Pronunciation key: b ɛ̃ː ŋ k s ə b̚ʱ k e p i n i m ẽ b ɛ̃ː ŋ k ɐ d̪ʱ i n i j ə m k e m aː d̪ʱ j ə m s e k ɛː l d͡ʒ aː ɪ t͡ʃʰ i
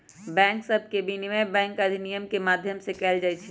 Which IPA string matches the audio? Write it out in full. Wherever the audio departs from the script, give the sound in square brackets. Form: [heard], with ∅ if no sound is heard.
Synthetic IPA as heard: b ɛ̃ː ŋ k s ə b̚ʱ k e [b] i n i m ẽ b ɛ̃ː ŋ k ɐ d̪ʱ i n i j ə m k e m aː d̪ʱ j ə m s e k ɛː l d͡ʒ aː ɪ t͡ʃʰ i